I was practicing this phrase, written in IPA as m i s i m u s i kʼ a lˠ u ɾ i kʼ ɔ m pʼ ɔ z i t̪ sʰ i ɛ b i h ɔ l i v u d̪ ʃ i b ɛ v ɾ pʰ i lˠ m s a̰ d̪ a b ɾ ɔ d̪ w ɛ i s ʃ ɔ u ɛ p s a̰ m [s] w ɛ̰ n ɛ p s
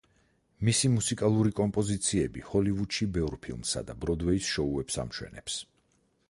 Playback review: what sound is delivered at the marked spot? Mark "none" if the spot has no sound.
ʃ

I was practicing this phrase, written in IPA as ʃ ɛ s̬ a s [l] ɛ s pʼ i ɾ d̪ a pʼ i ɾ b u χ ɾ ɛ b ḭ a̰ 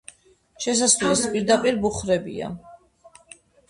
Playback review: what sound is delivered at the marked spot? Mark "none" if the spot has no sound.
l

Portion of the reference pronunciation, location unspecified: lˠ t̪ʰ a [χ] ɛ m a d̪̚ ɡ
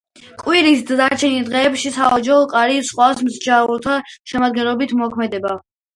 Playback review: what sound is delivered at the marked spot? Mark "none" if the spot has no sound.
ʃ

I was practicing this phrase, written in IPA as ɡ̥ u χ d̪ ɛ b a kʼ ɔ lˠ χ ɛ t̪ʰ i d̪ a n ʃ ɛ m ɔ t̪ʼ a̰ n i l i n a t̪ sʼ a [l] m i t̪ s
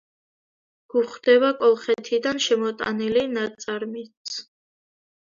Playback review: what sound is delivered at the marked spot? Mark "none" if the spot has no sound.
ɾ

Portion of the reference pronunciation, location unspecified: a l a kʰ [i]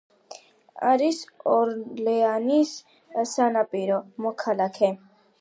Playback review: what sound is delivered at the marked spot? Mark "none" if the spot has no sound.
ɛ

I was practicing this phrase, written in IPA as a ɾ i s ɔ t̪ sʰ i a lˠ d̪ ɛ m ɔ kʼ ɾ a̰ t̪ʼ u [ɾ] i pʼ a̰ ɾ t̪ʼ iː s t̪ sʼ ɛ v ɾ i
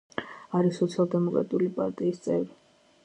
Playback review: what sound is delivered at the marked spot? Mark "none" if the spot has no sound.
l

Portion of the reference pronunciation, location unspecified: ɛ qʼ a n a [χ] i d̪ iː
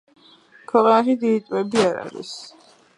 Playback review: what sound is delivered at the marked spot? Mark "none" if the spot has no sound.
ʃ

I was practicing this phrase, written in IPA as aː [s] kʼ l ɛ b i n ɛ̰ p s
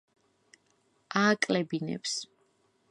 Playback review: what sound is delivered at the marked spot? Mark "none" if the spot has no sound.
none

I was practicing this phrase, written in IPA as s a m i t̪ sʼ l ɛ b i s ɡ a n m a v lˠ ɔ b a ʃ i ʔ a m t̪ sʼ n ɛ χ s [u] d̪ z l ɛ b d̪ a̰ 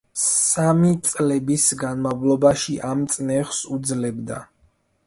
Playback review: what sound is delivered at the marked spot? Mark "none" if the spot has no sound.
u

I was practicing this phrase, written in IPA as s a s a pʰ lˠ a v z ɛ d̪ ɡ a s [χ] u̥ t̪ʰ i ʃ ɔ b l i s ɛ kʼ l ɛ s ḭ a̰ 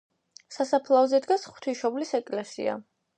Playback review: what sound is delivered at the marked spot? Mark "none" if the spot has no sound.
χ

